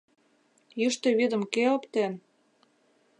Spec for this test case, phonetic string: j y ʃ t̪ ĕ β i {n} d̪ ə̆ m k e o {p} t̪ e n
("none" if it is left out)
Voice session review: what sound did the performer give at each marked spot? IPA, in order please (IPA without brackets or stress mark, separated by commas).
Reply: none, p